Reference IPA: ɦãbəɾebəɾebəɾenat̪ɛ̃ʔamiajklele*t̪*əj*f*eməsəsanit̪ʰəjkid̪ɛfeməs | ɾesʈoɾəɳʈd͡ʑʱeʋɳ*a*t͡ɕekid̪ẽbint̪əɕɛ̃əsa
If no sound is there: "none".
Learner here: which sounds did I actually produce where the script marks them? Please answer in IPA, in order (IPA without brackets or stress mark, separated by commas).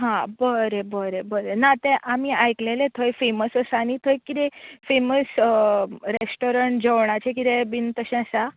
t̪ʰ, f, a